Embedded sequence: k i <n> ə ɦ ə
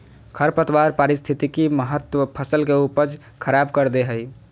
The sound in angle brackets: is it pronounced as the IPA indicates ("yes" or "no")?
no